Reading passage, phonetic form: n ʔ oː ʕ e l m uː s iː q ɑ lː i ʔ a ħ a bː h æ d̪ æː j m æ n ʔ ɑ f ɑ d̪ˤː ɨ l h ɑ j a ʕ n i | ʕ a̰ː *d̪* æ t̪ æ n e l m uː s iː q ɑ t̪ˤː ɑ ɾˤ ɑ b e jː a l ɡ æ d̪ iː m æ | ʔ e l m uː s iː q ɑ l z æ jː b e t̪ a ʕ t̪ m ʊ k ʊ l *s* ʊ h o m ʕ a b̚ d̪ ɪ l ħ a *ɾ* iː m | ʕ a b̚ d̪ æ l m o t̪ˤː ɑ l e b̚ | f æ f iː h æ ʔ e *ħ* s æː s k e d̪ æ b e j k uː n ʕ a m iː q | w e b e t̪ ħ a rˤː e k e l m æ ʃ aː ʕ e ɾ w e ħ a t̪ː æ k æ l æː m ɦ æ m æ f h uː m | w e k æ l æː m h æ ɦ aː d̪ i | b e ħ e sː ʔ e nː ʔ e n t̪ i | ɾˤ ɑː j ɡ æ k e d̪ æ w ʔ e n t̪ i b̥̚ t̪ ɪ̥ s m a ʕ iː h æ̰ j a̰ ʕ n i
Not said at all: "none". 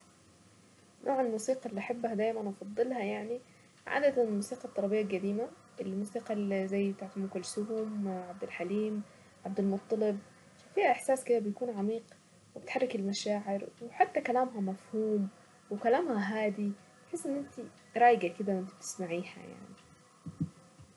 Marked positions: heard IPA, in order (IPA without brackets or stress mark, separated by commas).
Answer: d̪, s, l, ħ